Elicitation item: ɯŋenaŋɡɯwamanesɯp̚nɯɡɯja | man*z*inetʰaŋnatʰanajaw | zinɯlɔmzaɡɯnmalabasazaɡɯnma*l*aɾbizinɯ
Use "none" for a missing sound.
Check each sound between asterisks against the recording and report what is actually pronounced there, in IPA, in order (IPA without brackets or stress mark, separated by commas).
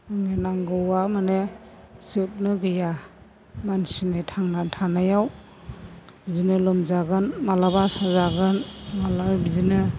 s, l